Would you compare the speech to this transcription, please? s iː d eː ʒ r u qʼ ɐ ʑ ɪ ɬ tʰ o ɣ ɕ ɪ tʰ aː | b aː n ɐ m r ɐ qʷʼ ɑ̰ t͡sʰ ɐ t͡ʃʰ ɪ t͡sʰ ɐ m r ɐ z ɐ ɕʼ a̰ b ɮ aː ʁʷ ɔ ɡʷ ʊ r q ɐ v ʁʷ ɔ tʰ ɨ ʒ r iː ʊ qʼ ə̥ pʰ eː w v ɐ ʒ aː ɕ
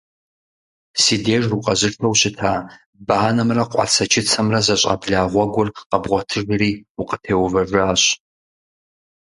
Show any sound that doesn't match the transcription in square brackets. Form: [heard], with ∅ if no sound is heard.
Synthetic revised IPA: s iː d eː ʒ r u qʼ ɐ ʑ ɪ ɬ tʰ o [w] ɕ ɪ tʰ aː | b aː n ɐ m r ɐ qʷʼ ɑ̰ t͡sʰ ɐ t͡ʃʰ ɪ t͡sʰ ɐ m r ɐ z ɐ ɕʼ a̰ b ɮ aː ʁʷ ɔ ɡʷ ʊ r q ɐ [b] ʁʷ ɔ tʰ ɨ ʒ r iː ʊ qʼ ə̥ [tʰ] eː w v ɐ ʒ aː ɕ